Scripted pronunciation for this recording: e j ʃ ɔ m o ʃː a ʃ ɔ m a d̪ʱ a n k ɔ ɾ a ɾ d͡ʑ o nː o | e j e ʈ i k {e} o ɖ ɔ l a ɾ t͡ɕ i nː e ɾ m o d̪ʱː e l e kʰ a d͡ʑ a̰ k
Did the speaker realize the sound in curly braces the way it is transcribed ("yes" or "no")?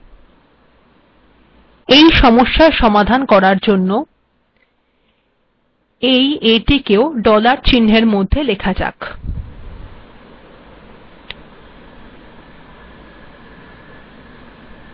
yes